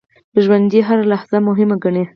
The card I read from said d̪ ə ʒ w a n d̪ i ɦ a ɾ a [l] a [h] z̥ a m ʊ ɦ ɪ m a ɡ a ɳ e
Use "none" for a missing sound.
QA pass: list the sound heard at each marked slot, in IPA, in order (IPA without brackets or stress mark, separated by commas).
l, h